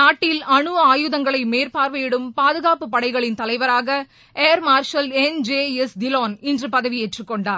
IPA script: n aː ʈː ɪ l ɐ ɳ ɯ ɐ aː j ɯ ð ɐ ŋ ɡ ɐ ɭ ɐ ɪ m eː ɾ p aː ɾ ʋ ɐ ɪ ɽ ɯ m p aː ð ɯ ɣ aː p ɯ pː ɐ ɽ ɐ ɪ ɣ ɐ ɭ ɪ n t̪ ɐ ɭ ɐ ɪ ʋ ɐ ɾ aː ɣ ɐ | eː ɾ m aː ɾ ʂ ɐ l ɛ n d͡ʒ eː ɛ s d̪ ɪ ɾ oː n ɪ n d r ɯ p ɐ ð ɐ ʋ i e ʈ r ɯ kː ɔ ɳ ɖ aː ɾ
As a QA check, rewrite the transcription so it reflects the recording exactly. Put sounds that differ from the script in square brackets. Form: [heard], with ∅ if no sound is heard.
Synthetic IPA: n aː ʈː ɪ l ɐ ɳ ɯ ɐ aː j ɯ ð ɐ ŋ ɡ ɐ ɭ ɐ ɪ m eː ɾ p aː ɾ ʋ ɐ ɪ ɽ ɯ m p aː ð ɯ ɣ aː p ɯ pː ɐ ɽ ɐ ɪ ɣ ɐ ɭ ɪ n t̪ ɐ [l] ɐ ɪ ʋ ɐ ɾ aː ɣ ɐ | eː ɾ m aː ɾ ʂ ɐ l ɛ n d͡ʒ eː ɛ s d̪ ɪ [l] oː n ɪ n d r ɯ p ɐ ð ɐ ʋ i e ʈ r ɯ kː ɔ ɳ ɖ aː ɾ